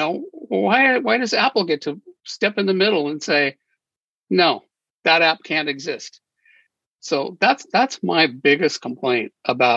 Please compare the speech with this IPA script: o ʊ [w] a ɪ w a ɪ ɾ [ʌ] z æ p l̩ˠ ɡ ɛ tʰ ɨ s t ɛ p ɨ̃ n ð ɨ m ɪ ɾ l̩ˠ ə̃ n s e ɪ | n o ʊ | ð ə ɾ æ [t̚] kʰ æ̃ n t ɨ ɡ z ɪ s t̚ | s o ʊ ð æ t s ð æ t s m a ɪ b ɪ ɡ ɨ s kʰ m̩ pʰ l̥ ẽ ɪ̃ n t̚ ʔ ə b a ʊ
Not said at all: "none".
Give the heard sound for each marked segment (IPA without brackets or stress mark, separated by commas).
w, ʌ, p̚